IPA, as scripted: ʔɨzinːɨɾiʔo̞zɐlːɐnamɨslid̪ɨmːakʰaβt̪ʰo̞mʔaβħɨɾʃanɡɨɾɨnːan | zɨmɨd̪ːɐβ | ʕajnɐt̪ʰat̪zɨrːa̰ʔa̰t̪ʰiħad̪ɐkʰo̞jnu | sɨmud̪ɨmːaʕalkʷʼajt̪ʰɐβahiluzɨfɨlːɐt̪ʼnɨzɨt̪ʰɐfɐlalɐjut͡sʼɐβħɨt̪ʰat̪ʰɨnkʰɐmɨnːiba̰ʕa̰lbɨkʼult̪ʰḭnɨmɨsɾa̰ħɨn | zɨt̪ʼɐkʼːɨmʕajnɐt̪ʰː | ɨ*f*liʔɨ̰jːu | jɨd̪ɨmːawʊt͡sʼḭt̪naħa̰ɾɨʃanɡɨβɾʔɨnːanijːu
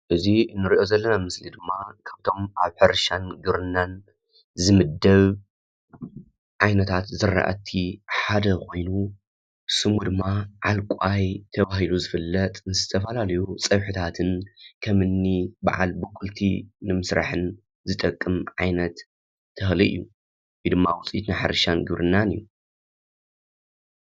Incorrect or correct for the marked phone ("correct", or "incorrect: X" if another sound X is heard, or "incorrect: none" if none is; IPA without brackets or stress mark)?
incorrect: x